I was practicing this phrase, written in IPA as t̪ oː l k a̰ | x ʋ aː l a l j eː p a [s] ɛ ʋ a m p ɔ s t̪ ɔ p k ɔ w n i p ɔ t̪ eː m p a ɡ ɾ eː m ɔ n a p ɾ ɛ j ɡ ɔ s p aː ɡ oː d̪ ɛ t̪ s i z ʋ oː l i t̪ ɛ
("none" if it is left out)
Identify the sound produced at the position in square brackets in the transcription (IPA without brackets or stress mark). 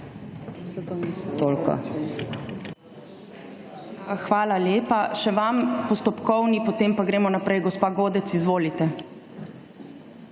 ʃ